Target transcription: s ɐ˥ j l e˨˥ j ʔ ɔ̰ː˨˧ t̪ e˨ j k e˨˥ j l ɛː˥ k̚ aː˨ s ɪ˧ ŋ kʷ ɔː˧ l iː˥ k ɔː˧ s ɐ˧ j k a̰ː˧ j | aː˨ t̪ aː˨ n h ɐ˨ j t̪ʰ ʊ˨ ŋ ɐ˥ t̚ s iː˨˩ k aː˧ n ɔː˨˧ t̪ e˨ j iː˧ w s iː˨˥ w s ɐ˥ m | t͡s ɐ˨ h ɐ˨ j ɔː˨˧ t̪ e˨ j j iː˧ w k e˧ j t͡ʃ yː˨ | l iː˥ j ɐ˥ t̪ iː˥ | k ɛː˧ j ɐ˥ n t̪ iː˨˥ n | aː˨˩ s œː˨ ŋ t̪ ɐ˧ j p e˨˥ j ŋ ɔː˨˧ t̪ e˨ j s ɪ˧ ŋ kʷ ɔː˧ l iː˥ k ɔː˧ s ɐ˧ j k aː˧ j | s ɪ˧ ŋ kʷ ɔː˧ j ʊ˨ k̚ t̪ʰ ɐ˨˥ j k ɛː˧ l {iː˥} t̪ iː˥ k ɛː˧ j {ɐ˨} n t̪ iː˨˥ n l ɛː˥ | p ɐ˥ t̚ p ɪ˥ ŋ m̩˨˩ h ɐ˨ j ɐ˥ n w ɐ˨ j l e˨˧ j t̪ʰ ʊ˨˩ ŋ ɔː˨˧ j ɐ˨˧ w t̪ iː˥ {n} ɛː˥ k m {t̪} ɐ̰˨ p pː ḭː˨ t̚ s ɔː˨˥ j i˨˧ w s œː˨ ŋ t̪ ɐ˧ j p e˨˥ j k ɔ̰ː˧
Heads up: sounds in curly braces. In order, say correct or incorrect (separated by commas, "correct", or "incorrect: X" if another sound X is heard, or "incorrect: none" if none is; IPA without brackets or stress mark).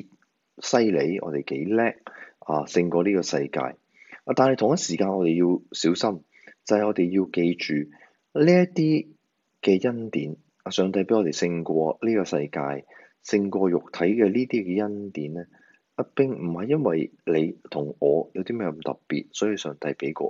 correct, incorrect: ɐ˥, incorrect: m, correct